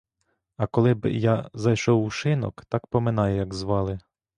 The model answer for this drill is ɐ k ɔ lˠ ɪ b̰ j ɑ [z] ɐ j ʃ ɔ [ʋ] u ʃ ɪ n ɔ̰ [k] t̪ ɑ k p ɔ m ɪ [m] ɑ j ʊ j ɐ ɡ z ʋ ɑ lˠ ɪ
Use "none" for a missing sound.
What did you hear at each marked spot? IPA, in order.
z, w, k, n

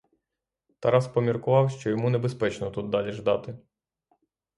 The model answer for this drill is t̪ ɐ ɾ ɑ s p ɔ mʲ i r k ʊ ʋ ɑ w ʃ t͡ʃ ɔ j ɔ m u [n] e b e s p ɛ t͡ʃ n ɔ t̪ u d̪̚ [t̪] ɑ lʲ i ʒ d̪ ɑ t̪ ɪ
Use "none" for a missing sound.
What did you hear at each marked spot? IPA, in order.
n, d̪

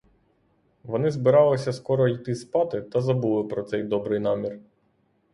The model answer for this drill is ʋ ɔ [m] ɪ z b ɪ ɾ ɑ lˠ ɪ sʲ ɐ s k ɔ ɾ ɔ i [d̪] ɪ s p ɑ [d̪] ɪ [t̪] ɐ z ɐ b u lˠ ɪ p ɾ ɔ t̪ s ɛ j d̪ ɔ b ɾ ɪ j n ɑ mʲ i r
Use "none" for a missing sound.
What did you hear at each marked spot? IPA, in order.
n, t̪, t̪, t̪

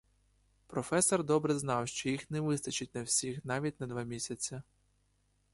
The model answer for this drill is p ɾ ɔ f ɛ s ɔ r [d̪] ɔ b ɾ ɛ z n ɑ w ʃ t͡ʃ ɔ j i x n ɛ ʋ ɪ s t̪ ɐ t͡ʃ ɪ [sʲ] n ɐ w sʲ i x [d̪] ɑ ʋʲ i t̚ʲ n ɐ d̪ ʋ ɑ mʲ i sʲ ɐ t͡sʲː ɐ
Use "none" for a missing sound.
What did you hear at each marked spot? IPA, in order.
d̪, tʲ, n̪

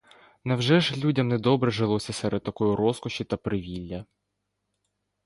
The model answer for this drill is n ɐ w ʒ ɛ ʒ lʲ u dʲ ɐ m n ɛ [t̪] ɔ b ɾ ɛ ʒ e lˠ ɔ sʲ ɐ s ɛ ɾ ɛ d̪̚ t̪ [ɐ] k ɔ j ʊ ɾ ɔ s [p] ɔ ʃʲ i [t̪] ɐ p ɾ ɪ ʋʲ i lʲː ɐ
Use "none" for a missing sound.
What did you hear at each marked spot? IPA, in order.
d̪, ɐ, k, t̪

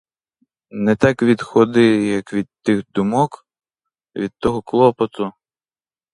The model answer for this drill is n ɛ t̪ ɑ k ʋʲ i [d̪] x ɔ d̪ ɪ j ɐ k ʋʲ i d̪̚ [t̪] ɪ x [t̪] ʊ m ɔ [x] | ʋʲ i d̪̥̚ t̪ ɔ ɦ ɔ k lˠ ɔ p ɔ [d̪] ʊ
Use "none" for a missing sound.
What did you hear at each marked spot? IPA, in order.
d̪, t̪, d̪, k, t̪

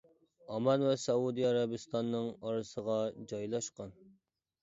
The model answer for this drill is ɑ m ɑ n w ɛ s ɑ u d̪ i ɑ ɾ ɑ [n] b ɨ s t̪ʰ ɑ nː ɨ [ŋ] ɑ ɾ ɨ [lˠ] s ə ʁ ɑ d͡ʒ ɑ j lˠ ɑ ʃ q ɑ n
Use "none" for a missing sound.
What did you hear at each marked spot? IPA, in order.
none, ŋ, none

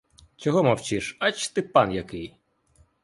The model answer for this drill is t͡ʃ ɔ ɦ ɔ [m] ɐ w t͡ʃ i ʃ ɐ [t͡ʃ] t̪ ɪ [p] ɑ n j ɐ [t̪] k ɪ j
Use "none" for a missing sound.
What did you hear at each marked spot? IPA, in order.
m, t͡ʃ, p, none

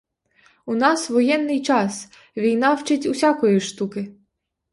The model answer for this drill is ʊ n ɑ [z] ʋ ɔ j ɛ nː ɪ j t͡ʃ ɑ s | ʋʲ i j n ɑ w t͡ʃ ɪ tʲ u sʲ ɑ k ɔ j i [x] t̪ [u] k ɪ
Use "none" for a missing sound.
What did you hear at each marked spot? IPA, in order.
s, ʃ, u

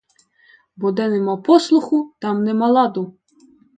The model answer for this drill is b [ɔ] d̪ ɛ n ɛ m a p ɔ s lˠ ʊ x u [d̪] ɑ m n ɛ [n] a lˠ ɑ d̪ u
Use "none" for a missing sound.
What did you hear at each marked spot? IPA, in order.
ɔ, t̪, m

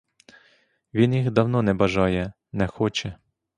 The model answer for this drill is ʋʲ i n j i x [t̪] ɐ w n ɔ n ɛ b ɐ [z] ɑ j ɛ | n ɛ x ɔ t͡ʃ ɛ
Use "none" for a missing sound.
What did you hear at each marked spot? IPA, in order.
d̪, ʒ

